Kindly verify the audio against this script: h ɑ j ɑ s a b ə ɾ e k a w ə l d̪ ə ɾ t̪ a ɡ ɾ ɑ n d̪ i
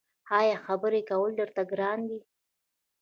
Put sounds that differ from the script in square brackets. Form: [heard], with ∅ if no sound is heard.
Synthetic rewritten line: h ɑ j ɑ [x] a b ə ɾ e k a w ə l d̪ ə ɾ t̪ a ɡ ɾ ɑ n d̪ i